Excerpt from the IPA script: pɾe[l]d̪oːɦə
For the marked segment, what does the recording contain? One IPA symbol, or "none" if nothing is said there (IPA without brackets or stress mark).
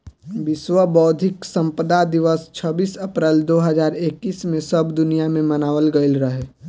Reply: l